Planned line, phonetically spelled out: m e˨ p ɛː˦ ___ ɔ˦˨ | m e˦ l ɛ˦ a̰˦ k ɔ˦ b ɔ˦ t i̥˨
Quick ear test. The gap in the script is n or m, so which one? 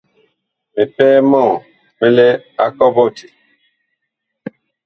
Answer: m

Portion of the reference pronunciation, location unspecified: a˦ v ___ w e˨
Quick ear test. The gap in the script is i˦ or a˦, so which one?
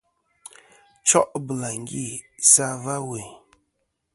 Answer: a˦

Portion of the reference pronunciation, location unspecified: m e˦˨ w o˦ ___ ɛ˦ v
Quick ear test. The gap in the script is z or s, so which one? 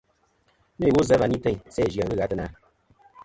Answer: z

